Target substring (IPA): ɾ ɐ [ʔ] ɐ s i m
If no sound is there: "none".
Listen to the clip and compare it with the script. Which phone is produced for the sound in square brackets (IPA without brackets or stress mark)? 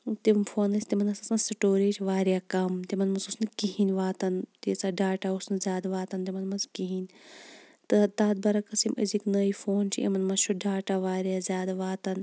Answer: k